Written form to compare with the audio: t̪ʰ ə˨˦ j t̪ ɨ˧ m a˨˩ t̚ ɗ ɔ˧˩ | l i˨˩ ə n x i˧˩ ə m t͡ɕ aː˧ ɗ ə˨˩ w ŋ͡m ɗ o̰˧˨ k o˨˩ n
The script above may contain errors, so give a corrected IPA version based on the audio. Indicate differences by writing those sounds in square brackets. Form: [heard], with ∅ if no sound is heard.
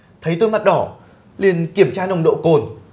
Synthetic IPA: t̪ʰ ə˨˦ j t̪ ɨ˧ m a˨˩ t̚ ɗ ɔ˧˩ | l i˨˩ ə n [k] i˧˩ ə m t͡ɕ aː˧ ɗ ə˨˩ w ŋ͡m ɗ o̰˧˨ k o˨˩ n